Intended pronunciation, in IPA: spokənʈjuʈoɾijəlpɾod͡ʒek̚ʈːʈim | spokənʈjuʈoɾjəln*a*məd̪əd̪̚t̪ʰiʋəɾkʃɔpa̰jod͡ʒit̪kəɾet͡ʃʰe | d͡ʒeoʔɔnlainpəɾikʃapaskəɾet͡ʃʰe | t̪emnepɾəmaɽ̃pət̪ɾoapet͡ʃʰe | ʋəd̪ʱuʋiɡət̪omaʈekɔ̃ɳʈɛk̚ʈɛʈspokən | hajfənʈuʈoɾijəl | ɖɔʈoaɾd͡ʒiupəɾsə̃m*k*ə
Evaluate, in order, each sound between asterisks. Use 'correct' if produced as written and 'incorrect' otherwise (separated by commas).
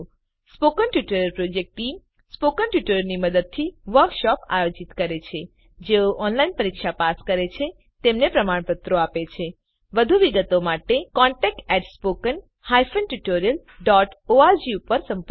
incorrect, incorrect